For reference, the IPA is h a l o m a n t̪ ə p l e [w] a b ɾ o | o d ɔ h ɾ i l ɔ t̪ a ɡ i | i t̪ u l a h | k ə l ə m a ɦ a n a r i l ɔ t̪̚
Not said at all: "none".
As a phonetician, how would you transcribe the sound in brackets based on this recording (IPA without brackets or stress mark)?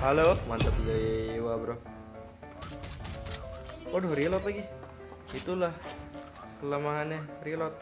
w